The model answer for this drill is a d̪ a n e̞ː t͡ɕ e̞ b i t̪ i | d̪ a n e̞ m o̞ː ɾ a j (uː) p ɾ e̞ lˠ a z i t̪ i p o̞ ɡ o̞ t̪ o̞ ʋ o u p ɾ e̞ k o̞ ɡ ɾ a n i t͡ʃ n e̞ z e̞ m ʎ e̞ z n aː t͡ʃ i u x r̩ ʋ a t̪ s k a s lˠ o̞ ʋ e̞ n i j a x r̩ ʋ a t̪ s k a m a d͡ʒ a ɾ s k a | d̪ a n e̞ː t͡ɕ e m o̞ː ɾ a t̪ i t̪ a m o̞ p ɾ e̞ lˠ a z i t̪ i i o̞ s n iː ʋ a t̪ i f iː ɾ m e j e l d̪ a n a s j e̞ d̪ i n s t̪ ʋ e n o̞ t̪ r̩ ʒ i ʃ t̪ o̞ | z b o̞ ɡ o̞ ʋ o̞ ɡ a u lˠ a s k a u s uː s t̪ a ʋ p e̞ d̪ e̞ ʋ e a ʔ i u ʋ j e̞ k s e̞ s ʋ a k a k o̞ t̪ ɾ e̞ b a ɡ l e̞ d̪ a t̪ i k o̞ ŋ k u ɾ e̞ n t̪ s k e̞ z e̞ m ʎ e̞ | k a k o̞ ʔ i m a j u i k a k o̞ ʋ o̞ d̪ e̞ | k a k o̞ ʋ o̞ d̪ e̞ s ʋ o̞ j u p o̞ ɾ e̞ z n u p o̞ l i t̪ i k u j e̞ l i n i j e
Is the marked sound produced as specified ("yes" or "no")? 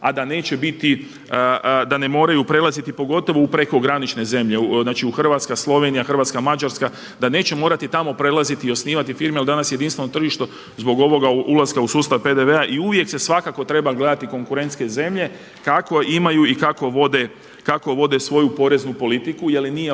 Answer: no